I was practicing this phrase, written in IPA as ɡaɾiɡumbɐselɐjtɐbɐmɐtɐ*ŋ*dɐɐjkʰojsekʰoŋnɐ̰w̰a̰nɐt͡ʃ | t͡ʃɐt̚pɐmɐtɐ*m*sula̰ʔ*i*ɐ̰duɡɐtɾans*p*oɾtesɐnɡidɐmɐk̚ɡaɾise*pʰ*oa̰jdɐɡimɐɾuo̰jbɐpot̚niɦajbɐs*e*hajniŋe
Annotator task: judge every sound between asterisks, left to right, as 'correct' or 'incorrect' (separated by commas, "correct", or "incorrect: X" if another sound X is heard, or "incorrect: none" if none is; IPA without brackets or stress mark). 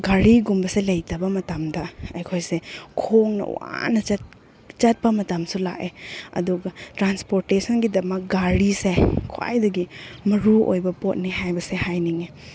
incorrect: m, correct, incorrect: e, correct, incorrect: kʰ, correct